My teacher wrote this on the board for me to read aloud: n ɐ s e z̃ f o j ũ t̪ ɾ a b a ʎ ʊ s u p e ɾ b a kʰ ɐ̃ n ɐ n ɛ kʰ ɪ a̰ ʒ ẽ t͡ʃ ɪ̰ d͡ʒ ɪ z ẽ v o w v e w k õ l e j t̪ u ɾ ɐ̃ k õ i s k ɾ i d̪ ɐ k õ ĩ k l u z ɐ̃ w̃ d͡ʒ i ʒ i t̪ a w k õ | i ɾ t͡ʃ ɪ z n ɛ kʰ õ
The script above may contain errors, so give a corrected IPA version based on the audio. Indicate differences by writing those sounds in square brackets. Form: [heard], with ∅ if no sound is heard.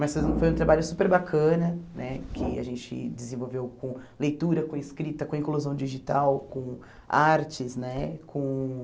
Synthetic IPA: [m] ɐ s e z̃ f o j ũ t̪ ɾ a b a ʎ ʊ s u p e ɾ b a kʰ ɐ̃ n ɐ n ɛ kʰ ɪ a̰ ʒ ẽ t͡ʃ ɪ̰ d͡ʒ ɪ z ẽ v o w v e w k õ l e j t̪ u ɾ [ɐ] k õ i s k ɾ i [t̪] ɐ k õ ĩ k l u z ɐ̃ w̃ d͡ʒ i ʒ i t̪ a w k õ | [a] ɾ t͡ʃ ɪ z n ɛ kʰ õ